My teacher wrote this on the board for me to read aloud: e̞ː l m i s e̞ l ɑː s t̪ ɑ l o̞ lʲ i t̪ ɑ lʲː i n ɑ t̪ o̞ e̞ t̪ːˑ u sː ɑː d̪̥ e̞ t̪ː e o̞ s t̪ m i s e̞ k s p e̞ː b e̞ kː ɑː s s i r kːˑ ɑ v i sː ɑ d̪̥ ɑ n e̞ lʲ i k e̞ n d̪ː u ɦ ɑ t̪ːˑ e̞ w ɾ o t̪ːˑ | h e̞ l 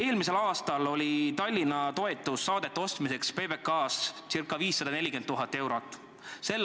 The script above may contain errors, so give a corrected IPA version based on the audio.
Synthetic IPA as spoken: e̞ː l m i s e̞ l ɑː s t̪ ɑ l o̞ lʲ i t̪ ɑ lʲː i n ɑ t̪ o̞ e̞ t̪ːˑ u sː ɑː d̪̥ e̞ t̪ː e o̞ s t̪ m i s e̞ k s p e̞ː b e̞ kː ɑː s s i r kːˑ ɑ v iː sː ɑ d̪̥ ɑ n e̞ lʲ i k e̞ n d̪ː u ɦ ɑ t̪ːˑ e̞ w ɾ o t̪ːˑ | s e̞ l